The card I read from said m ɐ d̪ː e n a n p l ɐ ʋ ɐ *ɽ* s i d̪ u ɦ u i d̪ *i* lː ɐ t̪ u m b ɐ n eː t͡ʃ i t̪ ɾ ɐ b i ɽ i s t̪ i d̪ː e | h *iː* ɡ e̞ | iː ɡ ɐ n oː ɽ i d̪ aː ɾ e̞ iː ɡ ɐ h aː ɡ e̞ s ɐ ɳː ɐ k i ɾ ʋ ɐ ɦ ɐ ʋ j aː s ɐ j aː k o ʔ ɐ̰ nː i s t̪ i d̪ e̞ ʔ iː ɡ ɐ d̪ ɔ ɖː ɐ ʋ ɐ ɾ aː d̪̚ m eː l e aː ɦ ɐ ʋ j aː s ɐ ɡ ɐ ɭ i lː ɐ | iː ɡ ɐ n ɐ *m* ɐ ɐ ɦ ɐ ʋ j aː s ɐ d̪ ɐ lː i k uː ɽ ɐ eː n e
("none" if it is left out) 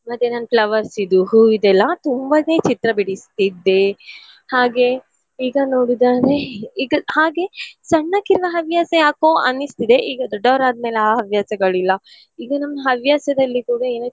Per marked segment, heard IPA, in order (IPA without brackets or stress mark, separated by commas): ɾ, ɛ, aː, m